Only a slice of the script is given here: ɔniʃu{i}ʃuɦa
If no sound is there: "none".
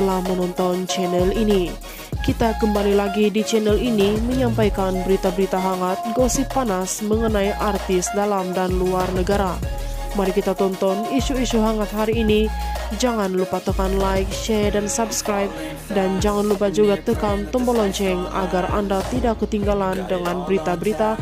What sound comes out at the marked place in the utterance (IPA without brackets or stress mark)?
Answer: i